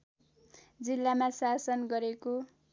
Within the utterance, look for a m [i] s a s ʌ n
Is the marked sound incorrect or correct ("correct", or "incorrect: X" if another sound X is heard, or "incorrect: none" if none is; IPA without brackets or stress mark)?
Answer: incorrect: a